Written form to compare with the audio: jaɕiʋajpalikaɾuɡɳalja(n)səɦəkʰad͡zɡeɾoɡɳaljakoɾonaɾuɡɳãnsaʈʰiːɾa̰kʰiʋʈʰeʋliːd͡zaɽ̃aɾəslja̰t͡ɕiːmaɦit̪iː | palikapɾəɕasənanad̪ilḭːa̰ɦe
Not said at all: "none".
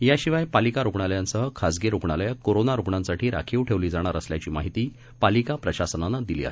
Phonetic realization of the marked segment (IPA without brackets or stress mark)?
n